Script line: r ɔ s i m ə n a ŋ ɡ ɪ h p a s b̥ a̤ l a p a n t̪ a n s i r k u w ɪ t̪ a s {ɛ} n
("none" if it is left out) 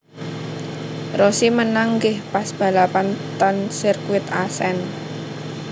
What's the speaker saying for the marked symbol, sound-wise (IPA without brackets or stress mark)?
ɛ